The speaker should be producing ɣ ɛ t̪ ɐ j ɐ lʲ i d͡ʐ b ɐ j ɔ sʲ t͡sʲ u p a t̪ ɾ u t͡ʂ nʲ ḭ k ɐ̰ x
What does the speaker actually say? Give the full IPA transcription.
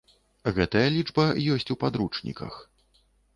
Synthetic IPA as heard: ɣ ɛ t̪ ɐ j ɐ lʲ i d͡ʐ b ɐ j ɔ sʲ t͡sʲ u p a d̪ ɾ u t͡ʂ nʲ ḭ k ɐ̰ x